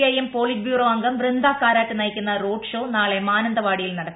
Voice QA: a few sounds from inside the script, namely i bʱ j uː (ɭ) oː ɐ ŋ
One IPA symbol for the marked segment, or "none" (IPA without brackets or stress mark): r